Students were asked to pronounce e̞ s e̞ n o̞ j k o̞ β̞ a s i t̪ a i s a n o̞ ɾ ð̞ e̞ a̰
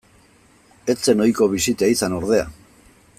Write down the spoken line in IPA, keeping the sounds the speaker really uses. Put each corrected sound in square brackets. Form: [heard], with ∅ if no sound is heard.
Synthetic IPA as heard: e̞ [t͡s] e̞ n o̞ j k o̞ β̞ [i] s i t̪ a i s a n o̞ ɾ ð̞ e̞ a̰